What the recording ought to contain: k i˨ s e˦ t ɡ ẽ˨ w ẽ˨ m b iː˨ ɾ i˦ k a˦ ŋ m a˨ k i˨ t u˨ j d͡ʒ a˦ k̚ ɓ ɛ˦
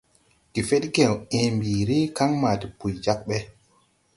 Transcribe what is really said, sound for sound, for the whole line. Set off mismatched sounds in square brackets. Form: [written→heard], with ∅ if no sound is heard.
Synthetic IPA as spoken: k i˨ [s→f] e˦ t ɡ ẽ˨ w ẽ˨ m b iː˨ ɾ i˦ k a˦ ŋ m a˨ [k→t] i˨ [t→p] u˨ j d͡ʒ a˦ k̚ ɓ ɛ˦